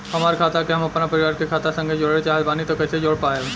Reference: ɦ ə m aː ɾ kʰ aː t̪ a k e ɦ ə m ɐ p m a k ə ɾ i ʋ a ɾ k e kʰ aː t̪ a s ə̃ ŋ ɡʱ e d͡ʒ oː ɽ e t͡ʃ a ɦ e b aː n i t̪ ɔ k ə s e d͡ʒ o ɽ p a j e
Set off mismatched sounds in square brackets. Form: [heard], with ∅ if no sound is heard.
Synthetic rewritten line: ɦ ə m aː ɾ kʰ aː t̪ a k e ɦ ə m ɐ p [n] a [p] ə ɾ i ʋ a ɾ k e kʰ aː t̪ a s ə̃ ŋ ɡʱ e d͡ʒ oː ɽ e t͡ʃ a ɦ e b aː n i t̪ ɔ k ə s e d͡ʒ o ɽ p a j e